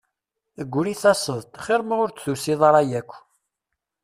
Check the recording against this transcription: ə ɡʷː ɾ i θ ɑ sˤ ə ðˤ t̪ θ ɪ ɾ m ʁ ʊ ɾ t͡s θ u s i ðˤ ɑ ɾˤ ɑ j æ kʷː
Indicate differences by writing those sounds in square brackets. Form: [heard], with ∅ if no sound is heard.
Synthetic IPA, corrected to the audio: ə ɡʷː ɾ i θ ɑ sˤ ə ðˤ t̪ [χ] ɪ ɾ m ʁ ʊ ɾ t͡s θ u s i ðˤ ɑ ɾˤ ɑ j æ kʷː